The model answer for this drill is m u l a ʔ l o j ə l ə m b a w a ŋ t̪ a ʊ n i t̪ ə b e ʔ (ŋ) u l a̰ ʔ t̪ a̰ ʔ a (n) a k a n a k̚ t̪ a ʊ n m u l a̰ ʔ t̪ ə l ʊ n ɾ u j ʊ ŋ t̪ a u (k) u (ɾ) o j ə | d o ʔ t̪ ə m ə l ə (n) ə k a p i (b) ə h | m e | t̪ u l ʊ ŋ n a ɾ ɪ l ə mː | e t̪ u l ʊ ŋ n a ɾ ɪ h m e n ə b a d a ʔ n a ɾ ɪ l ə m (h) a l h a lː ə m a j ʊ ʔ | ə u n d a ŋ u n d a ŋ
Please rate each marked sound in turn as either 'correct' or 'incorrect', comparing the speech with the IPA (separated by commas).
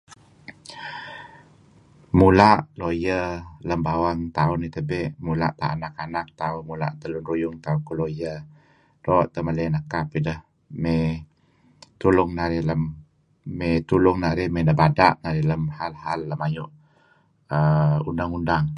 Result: incorrect, correct, correct, incorrect, correct, incorrect, correct